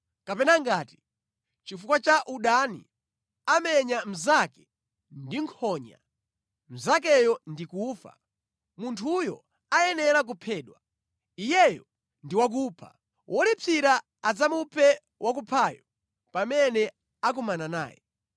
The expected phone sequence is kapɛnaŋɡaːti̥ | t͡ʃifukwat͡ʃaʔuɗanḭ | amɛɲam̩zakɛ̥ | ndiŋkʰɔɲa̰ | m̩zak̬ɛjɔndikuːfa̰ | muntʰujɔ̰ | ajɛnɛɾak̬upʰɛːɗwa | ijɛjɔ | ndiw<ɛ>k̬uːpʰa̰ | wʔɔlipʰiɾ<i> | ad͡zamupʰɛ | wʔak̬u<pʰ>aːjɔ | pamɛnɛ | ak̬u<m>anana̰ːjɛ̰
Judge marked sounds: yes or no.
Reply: no, no, yes, yes

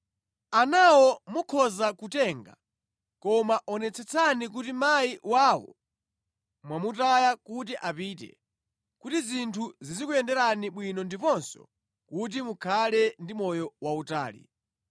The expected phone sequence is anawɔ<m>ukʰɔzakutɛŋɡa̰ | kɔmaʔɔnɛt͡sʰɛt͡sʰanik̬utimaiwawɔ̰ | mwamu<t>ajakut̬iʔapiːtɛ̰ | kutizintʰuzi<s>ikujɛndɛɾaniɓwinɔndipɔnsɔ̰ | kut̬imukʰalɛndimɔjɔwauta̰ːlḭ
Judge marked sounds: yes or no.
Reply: yes, yes, no

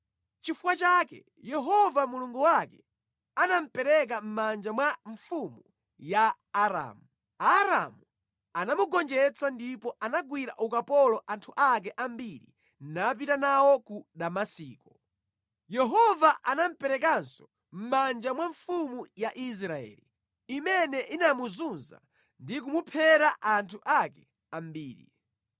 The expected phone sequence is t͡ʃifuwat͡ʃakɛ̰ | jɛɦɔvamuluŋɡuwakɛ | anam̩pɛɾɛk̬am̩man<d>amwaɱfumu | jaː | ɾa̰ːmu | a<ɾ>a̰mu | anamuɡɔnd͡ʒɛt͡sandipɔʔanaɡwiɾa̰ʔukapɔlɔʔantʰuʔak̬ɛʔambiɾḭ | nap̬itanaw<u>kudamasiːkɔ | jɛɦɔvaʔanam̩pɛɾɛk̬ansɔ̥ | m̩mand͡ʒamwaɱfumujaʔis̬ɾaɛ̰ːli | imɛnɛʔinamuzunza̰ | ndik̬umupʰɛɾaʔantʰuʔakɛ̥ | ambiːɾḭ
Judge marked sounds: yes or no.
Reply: no, yes, no

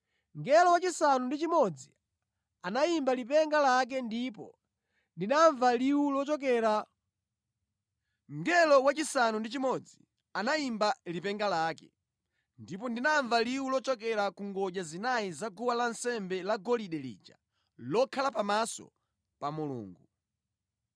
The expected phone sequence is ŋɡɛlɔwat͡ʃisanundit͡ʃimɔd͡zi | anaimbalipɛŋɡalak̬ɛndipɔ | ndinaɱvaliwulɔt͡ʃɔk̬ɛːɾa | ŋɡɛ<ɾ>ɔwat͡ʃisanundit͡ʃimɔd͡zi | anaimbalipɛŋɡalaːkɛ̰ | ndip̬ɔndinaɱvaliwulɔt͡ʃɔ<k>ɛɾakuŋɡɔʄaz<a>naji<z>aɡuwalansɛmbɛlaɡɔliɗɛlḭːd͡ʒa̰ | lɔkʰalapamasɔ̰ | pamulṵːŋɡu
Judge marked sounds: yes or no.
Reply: no, yes, no, yes

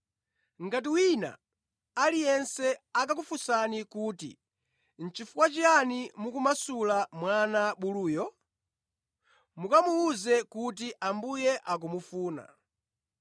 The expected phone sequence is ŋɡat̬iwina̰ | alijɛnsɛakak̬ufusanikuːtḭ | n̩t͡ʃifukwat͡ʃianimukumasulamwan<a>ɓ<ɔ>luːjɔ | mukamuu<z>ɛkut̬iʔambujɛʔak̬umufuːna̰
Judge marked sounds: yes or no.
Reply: yes, no, yes

